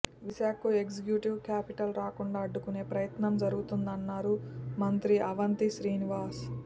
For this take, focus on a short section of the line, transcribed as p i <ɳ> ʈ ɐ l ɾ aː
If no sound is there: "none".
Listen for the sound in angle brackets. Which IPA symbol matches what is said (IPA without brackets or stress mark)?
none